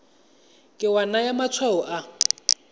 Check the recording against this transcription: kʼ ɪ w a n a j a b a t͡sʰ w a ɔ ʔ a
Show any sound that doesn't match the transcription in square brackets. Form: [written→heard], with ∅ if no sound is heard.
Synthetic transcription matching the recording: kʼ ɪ w a n a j a [b→m] a t͡sʰ w a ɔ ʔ a